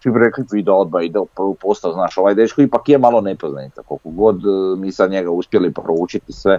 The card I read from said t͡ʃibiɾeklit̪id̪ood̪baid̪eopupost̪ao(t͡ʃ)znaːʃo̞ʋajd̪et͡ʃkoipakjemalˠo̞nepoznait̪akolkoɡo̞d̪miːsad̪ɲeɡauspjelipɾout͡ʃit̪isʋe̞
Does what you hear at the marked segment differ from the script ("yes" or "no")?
yes